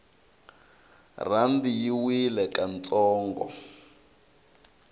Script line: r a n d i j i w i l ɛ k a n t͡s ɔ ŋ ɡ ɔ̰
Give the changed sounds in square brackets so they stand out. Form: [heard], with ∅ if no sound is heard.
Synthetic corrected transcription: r a n d i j i w i l ɛ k a n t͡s [ɔː] ŋ ɡ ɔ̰